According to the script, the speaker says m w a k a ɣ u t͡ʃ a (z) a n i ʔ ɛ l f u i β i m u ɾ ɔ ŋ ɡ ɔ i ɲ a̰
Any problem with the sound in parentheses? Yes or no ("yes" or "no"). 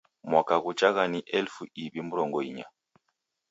yes